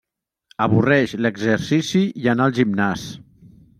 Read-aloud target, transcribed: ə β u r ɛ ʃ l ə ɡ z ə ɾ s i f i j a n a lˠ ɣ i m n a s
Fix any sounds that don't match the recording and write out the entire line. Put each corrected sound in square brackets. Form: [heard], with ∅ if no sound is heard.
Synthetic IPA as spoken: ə β u r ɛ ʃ l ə ɡ z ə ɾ s i [s] i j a n a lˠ [ʒ] i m n a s